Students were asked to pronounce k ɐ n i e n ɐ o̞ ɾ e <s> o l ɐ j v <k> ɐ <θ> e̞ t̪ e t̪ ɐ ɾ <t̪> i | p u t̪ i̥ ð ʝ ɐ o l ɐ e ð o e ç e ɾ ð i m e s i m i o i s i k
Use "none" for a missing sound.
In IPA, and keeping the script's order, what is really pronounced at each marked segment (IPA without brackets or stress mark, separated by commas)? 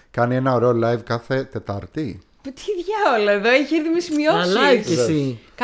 none, k, θ, t̪